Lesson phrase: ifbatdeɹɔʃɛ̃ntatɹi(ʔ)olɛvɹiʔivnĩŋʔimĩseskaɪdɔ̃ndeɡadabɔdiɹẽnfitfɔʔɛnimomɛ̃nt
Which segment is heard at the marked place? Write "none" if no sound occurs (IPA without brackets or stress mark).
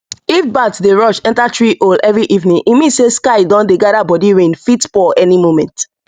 ʔ